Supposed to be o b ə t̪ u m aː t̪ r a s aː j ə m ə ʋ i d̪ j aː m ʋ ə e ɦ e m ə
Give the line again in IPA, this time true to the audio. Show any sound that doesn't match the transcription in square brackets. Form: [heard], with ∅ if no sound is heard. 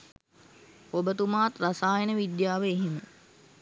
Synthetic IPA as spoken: o b ə t̪ u m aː t̪ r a s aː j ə [n] ə ʋ i d̪ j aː [∅] ʋ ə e ɦ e m ə